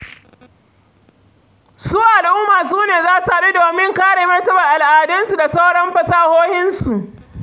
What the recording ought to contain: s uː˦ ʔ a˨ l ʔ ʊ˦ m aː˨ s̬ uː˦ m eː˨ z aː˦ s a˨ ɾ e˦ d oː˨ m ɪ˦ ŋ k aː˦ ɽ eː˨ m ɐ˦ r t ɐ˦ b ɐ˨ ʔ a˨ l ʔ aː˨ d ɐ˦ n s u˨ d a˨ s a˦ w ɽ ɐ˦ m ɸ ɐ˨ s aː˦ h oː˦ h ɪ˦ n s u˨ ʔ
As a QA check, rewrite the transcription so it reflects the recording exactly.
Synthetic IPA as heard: s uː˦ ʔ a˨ l ʔ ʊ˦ m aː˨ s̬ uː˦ n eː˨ z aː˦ s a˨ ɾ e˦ d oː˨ m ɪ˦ ŋ k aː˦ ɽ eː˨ m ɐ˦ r t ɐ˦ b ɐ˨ ʔ a˨ l ʔ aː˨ d ɐ˦ n s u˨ d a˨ s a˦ w ɽ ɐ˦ m ɸ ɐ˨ s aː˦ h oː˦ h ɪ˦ n s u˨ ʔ